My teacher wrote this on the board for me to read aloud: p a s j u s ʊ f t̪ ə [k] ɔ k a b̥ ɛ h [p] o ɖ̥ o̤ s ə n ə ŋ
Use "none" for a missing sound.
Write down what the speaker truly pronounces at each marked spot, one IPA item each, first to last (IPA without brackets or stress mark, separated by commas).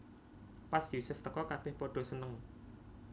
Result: k, p